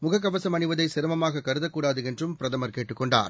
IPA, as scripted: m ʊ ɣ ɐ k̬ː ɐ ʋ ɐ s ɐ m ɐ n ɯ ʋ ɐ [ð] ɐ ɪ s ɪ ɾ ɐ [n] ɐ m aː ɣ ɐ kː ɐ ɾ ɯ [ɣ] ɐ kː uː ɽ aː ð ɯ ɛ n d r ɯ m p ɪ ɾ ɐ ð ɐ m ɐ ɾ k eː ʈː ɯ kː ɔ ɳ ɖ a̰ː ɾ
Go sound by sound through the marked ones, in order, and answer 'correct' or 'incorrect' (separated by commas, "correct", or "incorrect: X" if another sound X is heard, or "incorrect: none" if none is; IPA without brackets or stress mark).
correct, incorrect: m, incorrect: ð